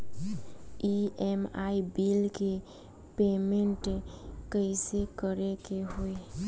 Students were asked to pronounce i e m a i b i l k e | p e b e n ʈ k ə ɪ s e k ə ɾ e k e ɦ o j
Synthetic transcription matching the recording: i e m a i b i l k e | p e m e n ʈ k ə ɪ s e k ə ɾ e k e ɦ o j